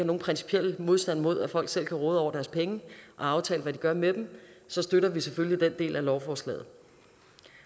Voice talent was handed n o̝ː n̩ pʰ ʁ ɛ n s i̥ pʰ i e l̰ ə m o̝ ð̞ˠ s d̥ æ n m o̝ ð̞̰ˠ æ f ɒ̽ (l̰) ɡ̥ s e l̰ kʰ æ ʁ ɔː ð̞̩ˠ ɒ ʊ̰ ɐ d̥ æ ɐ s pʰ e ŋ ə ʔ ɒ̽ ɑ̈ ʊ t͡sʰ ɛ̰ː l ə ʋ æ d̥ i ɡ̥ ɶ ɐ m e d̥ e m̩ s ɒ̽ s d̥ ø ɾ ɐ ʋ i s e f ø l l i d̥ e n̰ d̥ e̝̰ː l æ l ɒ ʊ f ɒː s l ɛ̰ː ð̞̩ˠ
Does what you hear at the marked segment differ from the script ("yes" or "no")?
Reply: no